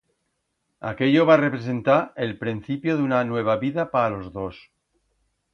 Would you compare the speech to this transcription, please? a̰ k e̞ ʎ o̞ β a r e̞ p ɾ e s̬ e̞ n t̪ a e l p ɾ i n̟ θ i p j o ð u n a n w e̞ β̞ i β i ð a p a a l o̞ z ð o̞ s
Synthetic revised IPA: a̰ k e̞ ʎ o̞ β a r e̞ p ɾ e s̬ e̞ n t̪ a e l p ɾ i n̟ θ i p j o ð u n a n w e̞ β̞ a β i ð a p a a l o̞ z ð o̞ s